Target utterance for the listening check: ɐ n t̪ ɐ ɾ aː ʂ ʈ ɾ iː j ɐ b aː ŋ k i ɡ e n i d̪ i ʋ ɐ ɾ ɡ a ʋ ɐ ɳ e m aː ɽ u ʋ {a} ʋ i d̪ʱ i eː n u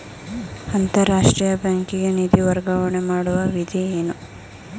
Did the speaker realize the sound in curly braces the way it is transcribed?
no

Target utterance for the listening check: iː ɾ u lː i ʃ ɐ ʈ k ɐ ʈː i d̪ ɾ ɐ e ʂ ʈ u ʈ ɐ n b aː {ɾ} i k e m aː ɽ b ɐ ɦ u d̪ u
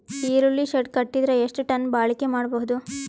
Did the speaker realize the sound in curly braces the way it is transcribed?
no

